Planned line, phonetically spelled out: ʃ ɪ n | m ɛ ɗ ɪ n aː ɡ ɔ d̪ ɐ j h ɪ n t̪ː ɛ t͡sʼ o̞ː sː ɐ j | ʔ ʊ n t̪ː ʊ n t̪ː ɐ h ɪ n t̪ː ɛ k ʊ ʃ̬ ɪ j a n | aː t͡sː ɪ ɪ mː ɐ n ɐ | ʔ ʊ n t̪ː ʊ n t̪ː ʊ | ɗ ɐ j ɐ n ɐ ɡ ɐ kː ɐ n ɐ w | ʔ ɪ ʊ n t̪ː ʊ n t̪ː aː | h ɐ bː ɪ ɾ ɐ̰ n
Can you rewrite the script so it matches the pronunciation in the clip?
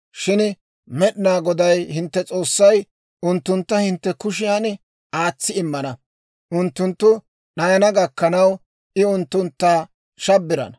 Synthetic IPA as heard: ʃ ɪ n | m ɛ ɗ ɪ n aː ɡ ɔ d̪ ɐ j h ɪ n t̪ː ɛ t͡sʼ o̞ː sː ɐ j | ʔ ʊ n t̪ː ʊ n t̪ː ɐ h ɪ n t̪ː ɛ k ʊ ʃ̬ ɪ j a n | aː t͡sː ɪ ɪ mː ɐ n ɐ | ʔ ʊ n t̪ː ʊ n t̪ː ʊ | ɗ ɐ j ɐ n ɐ ɡ ɐ kː ɐ n ɐ w | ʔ ɪ ʊ n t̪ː ʊ n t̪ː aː | ʃ ɐ bː ɪ ɾ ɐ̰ n